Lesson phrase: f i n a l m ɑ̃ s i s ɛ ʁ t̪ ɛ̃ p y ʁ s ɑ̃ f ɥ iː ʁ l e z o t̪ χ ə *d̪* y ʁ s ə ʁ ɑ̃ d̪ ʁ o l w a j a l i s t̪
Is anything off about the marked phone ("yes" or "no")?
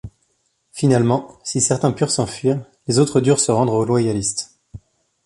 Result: no